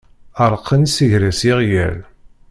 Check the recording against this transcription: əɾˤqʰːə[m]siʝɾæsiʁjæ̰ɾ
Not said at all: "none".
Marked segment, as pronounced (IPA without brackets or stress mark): n